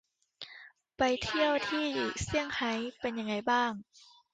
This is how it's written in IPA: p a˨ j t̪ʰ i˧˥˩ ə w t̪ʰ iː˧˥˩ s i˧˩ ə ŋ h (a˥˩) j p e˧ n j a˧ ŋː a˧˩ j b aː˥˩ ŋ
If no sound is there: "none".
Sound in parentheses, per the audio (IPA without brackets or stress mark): a˨˦